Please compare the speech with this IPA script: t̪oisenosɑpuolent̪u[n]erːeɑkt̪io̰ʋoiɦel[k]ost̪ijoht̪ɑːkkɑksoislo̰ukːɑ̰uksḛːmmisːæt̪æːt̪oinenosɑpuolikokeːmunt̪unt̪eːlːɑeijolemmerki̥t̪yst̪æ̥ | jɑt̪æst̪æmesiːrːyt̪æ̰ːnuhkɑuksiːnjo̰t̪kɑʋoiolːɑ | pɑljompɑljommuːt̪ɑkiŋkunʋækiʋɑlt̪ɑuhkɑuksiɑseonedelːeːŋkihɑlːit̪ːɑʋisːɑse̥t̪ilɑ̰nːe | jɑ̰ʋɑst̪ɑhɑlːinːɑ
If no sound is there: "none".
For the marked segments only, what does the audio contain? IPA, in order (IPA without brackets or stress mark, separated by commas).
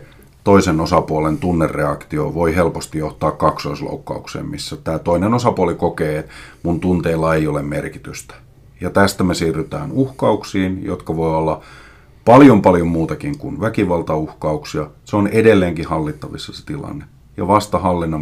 nː, p